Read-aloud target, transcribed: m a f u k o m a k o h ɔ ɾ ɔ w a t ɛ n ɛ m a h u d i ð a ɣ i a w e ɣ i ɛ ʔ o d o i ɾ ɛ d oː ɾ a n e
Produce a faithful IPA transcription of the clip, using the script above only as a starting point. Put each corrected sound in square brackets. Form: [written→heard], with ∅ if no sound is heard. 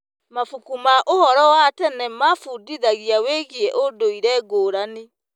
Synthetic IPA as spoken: m a f u k [o→u] m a [k→ʔ] o h ɔ ɾ ɔ w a t ɛ n ɛ m a [h→f] u d i ð a ɣ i a w e ɣ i ɛ ʔ o d o i ɾ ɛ [d→ɡ] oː ɾ a n e

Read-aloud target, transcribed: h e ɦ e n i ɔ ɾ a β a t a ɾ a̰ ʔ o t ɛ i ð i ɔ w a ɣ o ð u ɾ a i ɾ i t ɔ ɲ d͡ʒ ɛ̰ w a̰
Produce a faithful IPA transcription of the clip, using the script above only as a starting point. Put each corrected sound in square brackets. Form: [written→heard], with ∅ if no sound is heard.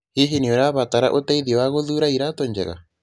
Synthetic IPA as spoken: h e ɦ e n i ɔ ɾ a β a t a ɾ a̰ ʔ o t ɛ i ð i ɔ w a ɣ o ð u ɾ a i ɾ [i→a] t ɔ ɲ d͡ʒ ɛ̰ [w→ɣ] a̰

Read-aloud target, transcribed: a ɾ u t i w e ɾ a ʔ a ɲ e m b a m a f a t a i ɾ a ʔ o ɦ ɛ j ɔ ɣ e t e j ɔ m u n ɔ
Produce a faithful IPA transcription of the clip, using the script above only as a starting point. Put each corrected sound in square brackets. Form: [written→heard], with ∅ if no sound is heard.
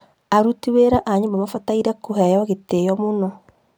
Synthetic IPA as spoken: a ɾ u t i w e ɾ a ʔ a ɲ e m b a m a f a t a i ɾ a [ʔ→k] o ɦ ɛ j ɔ ɣ e t e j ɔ m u n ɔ

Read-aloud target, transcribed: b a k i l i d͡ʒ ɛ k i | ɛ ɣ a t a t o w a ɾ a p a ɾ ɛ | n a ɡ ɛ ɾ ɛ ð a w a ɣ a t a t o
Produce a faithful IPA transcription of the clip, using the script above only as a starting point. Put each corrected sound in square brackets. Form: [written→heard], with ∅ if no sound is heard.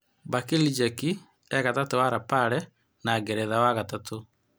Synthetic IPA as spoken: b a k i l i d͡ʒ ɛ k i | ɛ ɣ a t a t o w a ɾ a p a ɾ ɛ | n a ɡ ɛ ɾ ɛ ð a w a ɣ a t a t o

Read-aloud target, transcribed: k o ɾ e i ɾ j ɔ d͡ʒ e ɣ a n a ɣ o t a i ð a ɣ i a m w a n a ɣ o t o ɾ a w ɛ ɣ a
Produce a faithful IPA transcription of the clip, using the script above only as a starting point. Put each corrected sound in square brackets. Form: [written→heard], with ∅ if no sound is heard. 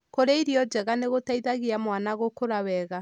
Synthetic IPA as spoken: k o ɾ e i ɾ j ɔ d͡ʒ [e→ɛ] ɣ a n [a→e] ɣ o t a i ð a ɣ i a m w a n a ɣ o [t→k] o ɾ a w ɛ ɣ a

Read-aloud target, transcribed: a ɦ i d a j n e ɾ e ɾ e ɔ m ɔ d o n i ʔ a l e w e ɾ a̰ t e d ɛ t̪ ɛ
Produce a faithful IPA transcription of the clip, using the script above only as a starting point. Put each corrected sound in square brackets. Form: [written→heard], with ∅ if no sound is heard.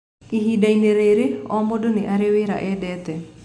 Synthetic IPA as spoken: [a→i] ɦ i d a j n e ɾ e ɾ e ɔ m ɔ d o n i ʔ a [l→ɾ] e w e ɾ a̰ [t→ʔ] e d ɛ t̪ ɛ

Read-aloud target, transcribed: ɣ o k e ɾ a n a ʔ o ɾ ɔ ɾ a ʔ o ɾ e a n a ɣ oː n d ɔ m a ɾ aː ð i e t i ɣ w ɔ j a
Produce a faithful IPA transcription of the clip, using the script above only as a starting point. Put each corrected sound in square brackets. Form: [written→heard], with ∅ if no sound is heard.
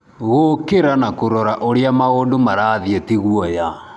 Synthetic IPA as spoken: ɣ o k e ɾ a n a [ʔ→k] o ɾ ɔ ɾ a ʔ o ɾ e a [n→m] a ɣ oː n d [ɔ→o] m a ɾ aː ð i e t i ɣ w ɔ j a

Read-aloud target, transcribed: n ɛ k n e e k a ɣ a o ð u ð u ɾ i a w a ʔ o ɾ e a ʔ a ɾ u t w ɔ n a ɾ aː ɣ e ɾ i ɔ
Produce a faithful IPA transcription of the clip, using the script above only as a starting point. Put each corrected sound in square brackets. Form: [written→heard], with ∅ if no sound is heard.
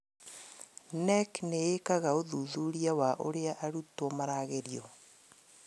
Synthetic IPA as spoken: n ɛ k n e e k a ɣ a o ð u ð u ɾ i a w a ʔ o ɾ e a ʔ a ɾ u t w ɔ [n→m] a ɾ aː ɣ e ɾ i ɔ

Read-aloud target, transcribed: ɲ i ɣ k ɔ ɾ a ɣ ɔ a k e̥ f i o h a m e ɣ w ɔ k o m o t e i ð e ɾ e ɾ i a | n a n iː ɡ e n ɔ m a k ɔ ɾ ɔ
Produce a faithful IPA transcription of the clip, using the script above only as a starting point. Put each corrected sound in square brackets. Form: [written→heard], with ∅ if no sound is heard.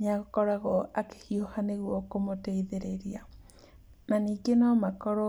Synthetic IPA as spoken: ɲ [i→a] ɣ k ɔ ɾ a ɣ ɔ a k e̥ [f→h] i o h a [m→n] e ɣ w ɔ k o m o t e i ð e ɾ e ɾ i a | n a n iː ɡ e n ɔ m a k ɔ ɾ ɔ

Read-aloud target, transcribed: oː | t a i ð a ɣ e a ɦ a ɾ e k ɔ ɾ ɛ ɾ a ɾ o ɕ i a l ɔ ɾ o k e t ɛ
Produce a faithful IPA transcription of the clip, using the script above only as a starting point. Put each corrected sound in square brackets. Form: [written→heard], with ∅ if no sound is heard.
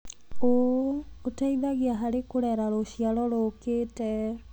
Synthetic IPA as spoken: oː | t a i ð a ɣ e a ɦ a ɾ e k [ɔ→o] ɾ ɛ ɾ a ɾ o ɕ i a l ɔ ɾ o k e t ɛ

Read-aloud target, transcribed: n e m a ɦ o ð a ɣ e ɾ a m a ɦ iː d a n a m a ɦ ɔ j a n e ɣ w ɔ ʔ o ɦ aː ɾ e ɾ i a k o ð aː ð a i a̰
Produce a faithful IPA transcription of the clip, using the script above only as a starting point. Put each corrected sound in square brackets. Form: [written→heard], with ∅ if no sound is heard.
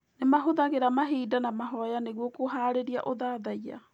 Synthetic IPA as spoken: n e m a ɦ o ð a ɣ e ɾ a m a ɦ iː d a n a m a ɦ ɔ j a n e ɣ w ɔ [ʔ→k] o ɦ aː ɾ e ɾ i a [k→ʔ] o ð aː ð a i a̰

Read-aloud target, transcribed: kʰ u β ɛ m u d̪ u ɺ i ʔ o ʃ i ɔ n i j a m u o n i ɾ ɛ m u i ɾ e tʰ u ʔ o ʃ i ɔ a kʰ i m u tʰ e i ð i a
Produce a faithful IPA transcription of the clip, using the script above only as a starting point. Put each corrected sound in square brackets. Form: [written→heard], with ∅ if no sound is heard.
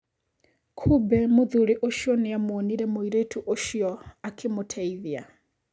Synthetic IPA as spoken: kʰ u [β→b] ɛ m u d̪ u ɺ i ʔ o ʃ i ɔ n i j a m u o n i ɾ ɛ m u i ɾ e tʰ u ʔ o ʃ i ɔ a kʰ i m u tʰ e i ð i a

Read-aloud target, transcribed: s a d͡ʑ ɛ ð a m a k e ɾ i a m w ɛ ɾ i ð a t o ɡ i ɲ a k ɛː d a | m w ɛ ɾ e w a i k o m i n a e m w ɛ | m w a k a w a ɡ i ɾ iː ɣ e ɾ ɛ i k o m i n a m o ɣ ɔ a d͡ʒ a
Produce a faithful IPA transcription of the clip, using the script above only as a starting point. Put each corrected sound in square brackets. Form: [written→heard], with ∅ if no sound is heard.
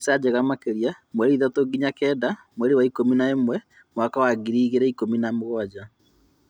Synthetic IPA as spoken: s a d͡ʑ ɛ [ð→ɣ] a m a k e ɾ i a m w ɛ ɾ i ð a t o ɡ i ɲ a k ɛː d a | m w ɛ ɾ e w a i k o m i n a e m w ɛ | m w a k a w a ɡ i ɾ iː ɣ e ɾ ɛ i k o m i n a m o ɣ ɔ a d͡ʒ a

